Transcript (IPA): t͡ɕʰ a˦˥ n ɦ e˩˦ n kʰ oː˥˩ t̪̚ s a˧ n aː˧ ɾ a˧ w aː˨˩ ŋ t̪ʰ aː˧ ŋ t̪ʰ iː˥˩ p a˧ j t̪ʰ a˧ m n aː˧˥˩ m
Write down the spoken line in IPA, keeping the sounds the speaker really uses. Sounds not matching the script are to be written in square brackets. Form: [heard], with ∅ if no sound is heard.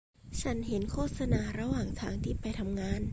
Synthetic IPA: t͡ɕʰ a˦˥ n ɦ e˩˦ n kʰ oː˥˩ t̪̚ s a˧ n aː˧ ɾ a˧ w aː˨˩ ŋ t̪ʰ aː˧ ŋ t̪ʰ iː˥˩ p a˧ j t̪ʰ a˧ m [ŋ] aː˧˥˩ [n]